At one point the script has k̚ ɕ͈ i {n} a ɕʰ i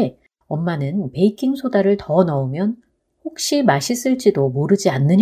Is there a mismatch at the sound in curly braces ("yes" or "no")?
yes